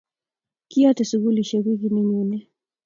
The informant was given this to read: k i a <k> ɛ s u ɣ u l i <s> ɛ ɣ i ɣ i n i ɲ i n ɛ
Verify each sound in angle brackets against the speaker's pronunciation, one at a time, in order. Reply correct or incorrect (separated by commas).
incorrect, incorrect